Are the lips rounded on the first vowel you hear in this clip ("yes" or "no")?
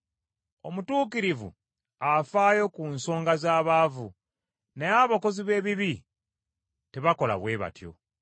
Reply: yes